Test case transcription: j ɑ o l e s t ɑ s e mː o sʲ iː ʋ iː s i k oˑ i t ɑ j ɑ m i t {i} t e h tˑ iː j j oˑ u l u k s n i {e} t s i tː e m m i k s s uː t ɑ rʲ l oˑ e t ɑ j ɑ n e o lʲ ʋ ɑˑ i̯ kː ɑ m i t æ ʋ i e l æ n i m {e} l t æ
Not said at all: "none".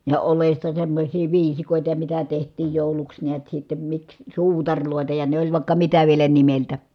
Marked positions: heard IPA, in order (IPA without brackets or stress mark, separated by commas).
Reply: æ, æ, e